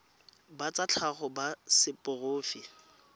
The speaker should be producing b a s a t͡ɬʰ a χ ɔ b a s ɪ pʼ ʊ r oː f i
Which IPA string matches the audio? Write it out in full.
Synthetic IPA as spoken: b a t͡s a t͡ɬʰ a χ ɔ b a s ɪ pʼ ʊ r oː f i